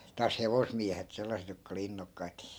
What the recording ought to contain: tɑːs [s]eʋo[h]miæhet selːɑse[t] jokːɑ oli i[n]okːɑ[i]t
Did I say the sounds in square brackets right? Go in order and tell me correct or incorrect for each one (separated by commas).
incorrect, incorrect, correct, incorrect, correct